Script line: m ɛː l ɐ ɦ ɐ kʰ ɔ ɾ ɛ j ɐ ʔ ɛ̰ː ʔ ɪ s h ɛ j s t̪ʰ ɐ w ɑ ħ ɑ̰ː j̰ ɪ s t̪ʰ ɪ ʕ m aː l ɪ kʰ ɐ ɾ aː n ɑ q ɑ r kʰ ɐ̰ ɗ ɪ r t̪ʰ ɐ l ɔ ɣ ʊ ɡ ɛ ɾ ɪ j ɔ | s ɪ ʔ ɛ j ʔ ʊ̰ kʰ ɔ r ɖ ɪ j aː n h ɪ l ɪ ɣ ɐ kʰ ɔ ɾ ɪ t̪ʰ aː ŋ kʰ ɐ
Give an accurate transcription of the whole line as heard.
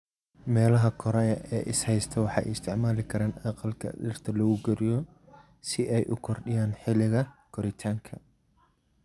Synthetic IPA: m ɛː l ɐ ɦ ɐ kʰ ɔ ɾ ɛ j ɐ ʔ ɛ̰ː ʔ ɪ s h ɛ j s t̪ʰ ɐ w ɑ ħ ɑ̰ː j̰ ɪ s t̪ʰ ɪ ʕ m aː l ɪ kʰ ɐ ɾ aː n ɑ q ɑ l kʰ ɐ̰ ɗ ɪ r t̪ʰ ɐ l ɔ ɣ ʊ ɡ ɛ ɾ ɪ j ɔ | s ɪ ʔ ɛ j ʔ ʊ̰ kʰ ɔ r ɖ ɪ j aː n ħ ɪ l ɪ ɣ ɐ kʰ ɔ ɾ ɪ t̪ʰ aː ŋ kʰ ɐ